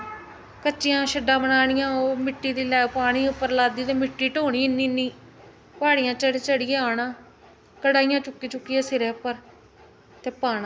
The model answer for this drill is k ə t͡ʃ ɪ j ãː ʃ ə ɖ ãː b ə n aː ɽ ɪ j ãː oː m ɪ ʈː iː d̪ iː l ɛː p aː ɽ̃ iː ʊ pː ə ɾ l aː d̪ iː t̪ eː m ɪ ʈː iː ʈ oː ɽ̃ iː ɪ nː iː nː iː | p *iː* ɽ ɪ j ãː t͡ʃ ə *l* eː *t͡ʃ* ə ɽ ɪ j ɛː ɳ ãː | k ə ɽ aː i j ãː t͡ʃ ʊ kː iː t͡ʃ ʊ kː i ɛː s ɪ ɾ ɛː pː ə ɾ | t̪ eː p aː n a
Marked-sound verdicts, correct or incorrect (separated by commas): incorrect, incorrect, correct